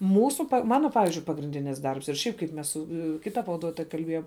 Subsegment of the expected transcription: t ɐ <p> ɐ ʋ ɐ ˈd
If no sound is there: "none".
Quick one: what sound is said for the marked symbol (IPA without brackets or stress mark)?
p